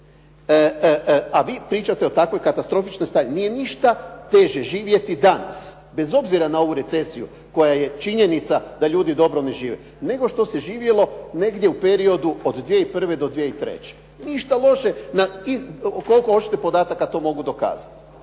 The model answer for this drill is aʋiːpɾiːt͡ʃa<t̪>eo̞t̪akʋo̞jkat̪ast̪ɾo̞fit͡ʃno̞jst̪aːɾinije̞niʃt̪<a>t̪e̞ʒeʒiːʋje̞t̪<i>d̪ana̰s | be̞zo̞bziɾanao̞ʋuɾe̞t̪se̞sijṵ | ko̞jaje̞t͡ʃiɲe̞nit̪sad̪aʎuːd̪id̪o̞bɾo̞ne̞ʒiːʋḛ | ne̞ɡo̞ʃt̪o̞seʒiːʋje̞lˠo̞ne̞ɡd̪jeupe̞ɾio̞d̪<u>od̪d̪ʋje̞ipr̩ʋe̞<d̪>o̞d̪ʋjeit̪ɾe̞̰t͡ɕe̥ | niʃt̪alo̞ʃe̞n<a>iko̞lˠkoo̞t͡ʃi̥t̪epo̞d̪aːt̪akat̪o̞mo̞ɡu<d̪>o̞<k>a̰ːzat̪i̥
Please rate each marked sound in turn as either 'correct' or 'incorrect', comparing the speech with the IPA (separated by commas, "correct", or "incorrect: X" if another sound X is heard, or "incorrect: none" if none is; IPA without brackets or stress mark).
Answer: correct, correct, correct, correct, correct, correct, correct, correct